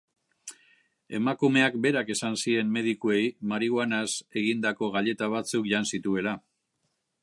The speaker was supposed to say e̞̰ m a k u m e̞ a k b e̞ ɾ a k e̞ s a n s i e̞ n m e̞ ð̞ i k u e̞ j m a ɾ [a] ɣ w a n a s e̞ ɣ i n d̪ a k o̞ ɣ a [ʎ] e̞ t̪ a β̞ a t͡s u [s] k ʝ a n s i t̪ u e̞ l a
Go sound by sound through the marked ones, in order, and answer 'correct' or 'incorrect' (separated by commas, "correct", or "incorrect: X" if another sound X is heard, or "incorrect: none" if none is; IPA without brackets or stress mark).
incorrect: i, correct, incorrect: none